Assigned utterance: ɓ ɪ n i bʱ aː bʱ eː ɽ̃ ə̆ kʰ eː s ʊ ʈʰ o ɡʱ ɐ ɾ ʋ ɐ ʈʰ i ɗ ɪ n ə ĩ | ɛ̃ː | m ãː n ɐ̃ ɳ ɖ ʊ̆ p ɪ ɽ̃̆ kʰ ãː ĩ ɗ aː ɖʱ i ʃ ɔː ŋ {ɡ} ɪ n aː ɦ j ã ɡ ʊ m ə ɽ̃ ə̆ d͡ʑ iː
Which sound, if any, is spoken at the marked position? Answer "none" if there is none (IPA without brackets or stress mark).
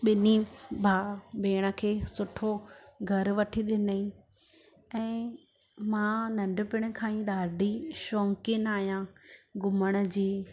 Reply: k